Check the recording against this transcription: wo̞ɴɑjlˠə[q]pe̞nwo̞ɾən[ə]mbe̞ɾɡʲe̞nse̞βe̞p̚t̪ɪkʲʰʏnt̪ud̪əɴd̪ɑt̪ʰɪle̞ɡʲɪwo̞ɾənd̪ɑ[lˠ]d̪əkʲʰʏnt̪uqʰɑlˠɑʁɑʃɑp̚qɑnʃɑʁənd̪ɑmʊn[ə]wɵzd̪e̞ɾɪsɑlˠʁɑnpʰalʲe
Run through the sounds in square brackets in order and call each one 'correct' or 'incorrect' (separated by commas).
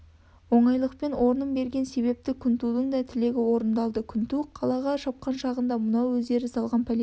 correct, correct, correct, incorrect